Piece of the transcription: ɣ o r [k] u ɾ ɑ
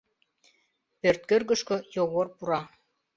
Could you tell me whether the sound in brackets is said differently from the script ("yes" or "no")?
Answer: yes